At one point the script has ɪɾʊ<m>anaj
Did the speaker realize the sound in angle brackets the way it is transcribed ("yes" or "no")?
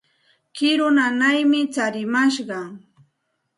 no